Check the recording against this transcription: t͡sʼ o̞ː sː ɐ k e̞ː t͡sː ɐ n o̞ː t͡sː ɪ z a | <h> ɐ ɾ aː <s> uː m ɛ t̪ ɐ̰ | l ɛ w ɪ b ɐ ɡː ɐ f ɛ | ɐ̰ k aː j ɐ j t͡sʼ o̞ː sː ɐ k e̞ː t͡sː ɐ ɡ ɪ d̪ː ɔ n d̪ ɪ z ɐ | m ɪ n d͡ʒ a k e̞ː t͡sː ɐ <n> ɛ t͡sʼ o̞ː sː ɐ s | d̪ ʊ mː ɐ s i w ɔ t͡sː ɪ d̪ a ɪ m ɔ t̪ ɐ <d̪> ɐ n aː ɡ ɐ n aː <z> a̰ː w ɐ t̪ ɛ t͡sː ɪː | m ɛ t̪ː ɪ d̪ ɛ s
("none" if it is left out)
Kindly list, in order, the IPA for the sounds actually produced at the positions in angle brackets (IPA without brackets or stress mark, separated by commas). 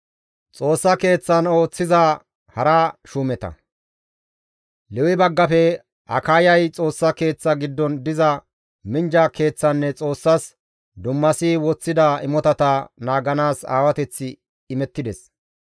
h, ʃ, nː, t̪, s